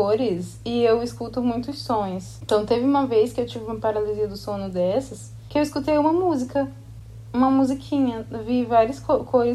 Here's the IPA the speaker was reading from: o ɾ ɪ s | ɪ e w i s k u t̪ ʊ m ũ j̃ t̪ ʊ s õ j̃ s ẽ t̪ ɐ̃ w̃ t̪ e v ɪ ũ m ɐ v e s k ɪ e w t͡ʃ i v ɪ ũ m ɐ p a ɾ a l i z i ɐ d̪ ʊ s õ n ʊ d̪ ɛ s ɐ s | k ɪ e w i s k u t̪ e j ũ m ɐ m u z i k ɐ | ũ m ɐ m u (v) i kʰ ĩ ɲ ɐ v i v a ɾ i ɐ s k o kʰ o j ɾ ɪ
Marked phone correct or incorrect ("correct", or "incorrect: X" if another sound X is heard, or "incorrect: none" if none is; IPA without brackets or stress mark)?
incorrect: z